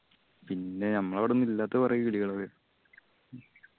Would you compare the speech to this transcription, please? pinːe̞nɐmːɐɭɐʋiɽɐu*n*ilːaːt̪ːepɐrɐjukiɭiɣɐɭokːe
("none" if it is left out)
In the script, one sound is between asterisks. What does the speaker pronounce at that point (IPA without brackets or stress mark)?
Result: nː